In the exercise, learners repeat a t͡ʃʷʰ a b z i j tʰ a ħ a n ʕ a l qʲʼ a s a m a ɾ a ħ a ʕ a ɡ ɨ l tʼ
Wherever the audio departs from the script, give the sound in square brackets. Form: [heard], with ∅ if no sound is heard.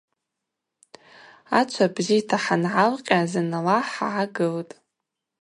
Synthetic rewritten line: a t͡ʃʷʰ a b z i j tʰ a ħ a n ʕ a l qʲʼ a [z] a [n] a [l] a ħ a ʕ a ɡ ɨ l tʼ